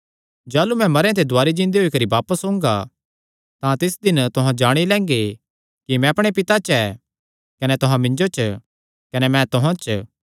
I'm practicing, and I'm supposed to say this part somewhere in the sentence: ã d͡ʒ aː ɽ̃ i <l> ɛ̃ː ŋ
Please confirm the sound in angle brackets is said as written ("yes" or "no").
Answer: yes